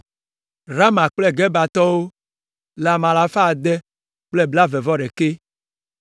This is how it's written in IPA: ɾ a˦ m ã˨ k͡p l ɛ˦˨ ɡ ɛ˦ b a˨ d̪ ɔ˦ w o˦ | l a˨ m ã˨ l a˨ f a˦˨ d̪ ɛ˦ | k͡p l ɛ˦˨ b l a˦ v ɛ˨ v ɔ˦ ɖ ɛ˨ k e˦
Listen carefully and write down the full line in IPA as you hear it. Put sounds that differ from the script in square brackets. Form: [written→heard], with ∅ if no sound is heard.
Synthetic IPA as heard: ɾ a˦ m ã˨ k͡p l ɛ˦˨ ɡ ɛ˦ b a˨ [d̪→t̪] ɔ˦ w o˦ | l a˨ m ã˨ l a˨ f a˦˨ d̪ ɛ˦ | k͡p l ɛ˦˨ b l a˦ v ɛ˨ v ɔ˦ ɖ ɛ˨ k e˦